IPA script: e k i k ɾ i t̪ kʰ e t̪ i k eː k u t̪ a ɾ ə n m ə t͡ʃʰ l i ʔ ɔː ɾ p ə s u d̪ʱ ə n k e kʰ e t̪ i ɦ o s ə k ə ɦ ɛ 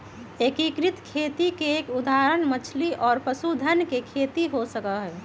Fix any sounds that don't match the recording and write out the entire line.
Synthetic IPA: e k i k ɾ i t̪ kʰ e t̪ i k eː k u d̪ a ɾ ə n m ə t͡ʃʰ l i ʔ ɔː ɾ p ə s u d̪ʱ ə n k e kʰ e t̪ i ɦ o s ə k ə ɦ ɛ